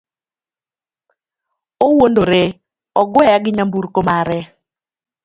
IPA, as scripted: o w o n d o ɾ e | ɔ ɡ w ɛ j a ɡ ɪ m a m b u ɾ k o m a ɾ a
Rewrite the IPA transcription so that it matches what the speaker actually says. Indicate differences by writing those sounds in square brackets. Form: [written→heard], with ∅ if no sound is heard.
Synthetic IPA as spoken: o w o n d o ɾ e | ɔ ɡ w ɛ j a ɡ ɪ [m→ɲ] a m b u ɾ k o m a ɾ [a→ɛ]